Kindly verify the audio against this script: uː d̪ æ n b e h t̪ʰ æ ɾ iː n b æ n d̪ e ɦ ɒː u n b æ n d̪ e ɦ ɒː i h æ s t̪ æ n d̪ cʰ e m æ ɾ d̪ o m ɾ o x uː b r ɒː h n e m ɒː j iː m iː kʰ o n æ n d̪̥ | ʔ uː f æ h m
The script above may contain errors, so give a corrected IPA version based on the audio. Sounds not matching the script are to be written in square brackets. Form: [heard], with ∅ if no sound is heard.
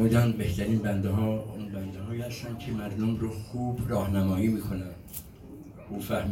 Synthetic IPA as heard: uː d̪ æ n b e h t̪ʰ æ ɾ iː n b æ n d̪ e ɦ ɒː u n b æ n d̪ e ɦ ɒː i h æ s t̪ æ n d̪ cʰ e m æ ɾ d̪ o m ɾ o x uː b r ɒː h n [æ] m ɒː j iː m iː kʰ o n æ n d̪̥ | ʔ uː f æ h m